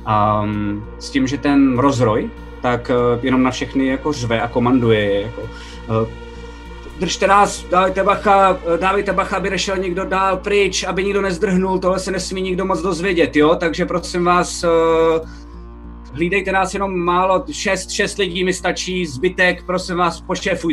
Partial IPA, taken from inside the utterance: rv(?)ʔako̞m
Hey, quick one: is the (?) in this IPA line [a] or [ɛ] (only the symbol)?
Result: ɛ